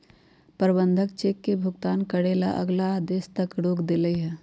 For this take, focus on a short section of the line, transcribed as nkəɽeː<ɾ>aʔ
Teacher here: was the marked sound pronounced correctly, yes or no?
no